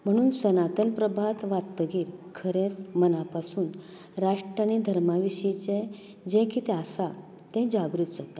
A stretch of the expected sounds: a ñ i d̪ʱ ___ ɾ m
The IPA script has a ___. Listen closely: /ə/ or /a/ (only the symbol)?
ə